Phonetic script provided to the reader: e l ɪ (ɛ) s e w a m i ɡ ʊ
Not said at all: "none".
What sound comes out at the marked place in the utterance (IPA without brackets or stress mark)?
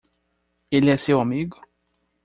ɛ